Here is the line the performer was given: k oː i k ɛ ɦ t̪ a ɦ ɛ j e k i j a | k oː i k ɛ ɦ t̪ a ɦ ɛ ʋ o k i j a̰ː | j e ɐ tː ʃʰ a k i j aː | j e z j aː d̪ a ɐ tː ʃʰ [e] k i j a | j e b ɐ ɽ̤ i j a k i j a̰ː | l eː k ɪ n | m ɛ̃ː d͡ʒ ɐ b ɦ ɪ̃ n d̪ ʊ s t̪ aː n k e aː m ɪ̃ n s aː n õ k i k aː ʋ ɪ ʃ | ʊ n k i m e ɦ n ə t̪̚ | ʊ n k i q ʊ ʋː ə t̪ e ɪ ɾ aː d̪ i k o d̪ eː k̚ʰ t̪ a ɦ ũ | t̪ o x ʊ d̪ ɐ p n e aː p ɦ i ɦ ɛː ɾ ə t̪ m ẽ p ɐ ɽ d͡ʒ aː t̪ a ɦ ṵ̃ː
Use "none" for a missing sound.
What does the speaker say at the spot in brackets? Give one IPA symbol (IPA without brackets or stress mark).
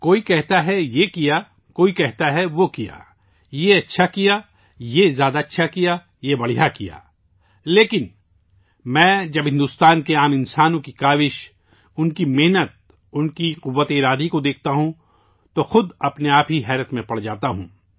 a